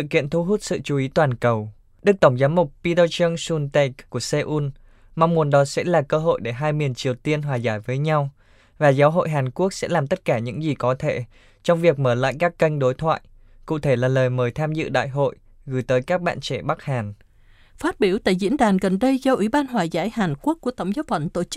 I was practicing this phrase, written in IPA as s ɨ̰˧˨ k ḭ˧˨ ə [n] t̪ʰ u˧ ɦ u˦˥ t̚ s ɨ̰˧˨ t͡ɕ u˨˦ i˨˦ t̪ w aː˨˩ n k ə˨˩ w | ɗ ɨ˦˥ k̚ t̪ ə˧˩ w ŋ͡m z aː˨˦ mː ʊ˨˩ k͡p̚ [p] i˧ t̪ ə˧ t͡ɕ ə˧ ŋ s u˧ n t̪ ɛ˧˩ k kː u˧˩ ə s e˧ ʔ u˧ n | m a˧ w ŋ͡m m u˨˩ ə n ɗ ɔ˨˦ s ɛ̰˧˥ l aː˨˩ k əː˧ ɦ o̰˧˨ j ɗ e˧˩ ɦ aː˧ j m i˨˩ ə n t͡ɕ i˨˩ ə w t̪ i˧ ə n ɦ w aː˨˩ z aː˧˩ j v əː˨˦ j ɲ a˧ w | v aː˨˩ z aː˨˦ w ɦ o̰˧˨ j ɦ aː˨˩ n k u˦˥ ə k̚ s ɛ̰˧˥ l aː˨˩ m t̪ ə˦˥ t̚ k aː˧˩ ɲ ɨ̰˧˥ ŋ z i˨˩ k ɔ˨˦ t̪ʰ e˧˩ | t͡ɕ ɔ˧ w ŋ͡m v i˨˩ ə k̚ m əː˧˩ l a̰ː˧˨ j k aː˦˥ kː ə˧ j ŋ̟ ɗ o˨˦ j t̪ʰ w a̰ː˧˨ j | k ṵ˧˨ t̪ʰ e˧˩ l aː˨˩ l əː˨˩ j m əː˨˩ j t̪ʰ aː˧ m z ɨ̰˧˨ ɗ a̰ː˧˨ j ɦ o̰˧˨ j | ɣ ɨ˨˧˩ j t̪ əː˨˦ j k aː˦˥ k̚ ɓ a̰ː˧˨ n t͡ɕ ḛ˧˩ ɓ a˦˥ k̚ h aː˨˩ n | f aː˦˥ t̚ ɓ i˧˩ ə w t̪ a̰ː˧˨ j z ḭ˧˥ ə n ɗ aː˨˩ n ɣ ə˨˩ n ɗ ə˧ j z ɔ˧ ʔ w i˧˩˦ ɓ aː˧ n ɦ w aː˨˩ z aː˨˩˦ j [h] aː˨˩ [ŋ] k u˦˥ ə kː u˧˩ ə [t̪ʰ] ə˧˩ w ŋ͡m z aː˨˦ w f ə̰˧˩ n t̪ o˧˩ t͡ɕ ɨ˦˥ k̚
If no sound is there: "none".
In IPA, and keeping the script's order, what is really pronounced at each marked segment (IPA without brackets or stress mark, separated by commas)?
n, p, h, n, t̪